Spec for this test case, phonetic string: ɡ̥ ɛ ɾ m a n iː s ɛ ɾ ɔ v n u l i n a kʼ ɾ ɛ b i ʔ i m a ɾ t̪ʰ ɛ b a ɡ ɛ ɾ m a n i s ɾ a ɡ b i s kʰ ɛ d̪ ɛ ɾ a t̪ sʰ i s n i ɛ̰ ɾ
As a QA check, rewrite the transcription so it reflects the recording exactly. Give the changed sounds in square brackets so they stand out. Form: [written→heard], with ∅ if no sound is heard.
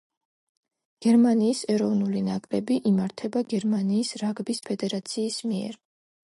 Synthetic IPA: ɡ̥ ɛ ɾ m a n iː s ɛ ɾ ɔ v n u l i n a kʼ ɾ ɛ b i ʔ i m a ɾ t̪ʰ ɛ b a ɡ ɛ ɾ m a n [i→iː] s ɾ a ɡ b i s [kʰ→pʰ] ɛ d̪ ɛ ɾ a t̪ sʰ [i→iː] s [n→m] i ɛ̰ ɾ